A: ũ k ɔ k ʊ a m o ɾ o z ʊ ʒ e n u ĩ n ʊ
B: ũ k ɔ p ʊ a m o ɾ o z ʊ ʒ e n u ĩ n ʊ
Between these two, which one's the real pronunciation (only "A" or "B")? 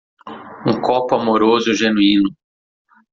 B